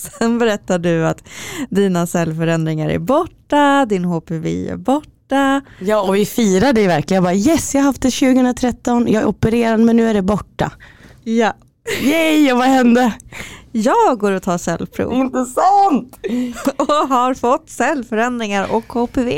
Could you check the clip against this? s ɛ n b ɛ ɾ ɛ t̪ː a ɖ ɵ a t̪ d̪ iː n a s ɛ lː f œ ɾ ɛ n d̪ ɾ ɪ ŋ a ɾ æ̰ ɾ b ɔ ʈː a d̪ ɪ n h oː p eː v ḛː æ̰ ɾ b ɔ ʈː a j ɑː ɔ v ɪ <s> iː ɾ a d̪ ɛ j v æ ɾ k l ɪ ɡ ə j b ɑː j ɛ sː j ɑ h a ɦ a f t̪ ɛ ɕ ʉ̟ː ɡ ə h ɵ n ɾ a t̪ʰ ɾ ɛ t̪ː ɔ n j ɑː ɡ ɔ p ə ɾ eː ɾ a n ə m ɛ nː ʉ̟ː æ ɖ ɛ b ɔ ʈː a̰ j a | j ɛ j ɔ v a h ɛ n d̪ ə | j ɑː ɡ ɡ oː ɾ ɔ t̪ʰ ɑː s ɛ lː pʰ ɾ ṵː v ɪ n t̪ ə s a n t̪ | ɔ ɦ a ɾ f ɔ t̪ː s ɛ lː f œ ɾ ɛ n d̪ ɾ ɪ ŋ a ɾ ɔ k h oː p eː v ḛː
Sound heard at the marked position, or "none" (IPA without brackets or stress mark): f